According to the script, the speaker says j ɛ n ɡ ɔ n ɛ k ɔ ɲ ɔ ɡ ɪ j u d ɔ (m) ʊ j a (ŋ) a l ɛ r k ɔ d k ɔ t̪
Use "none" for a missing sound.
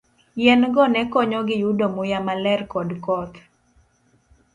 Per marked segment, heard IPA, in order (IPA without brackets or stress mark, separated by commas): m, m